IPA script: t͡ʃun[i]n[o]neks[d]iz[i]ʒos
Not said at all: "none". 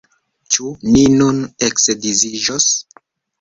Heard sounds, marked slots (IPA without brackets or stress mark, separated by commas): i, u, d, i